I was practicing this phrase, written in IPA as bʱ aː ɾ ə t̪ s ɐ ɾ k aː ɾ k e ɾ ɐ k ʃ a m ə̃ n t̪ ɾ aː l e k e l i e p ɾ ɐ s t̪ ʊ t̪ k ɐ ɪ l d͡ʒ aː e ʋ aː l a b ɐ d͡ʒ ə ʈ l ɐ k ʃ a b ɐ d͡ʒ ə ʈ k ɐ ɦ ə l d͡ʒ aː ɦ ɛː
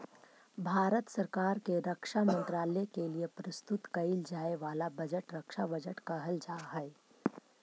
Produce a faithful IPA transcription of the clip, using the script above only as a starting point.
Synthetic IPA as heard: bʱ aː ɾ ə t̪ s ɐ ɾ k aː ɾ k e ɾ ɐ k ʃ a m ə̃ n t̪ ɾ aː l e k e l i e p ɾ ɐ s t̪ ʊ t̪ k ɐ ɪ l d͡ʒ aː e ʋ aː l a b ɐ d͡ʒ ə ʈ ɾ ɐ k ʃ a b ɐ d͡ʒ ə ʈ k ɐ ɦ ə l d͡ʒ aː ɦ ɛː